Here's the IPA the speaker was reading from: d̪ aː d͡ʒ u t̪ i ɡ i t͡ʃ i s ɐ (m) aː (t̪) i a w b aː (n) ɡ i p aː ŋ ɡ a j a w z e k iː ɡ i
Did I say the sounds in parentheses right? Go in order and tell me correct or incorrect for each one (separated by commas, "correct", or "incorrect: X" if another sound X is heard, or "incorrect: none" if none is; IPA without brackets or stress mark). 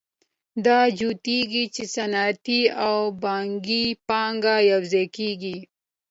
incorrect: n, correct, incorrect: ŋ